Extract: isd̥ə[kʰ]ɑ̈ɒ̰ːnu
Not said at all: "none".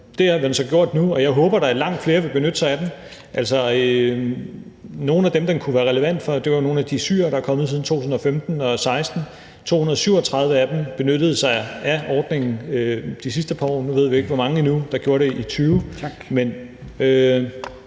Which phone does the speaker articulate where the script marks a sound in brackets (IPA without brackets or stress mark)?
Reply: pʰ